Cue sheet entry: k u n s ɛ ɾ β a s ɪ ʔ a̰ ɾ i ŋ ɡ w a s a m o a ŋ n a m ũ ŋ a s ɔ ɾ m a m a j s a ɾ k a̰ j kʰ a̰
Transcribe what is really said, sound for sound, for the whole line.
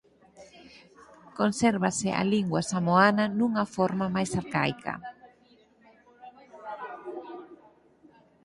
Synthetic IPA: k o n s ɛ ɾ β a s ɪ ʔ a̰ l i ŋ ɡ w a s a m o a n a n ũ ŋ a f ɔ ɾ m a m a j s a ɾ k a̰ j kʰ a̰